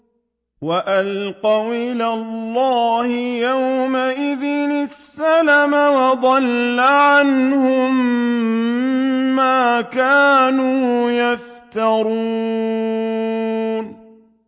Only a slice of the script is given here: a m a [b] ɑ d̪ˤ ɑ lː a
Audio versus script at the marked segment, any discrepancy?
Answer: yes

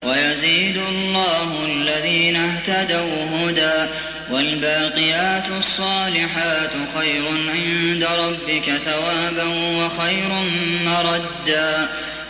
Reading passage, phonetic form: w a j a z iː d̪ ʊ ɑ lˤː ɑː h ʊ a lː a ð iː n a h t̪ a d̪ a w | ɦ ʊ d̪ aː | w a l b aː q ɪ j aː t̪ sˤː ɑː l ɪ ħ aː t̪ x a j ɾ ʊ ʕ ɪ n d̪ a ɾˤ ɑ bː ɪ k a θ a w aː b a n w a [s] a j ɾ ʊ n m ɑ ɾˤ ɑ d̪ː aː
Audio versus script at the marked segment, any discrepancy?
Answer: yes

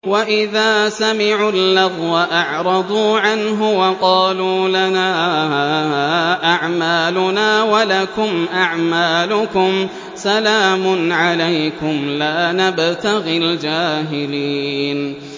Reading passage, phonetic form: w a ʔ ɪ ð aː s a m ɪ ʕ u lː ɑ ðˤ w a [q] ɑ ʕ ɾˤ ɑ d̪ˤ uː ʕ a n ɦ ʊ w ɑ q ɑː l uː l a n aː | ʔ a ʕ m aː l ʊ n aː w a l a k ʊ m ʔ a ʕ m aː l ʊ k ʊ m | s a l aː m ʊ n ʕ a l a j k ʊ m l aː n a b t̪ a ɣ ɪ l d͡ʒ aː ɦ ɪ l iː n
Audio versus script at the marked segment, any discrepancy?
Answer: yes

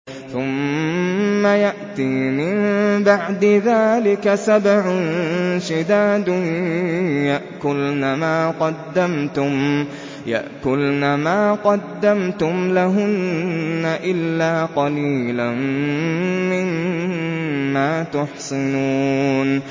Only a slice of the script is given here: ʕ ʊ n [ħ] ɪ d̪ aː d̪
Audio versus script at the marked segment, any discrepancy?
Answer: yes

